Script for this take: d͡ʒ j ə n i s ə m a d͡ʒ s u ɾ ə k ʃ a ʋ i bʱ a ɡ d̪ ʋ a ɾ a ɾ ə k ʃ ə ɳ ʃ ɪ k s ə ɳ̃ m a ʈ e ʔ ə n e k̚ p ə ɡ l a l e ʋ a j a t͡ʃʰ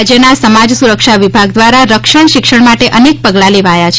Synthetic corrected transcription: d͡ʒ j ə n a s ə m a d͡ʒ s u ɾ ə k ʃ a ʋ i bʱ a ɡ d̪ ʋ a ɾ a ɾ ə k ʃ ə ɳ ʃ ɪ k ʃ ə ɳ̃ m a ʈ e ʔ ə n e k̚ p ə ɡ l a l e ʋ a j a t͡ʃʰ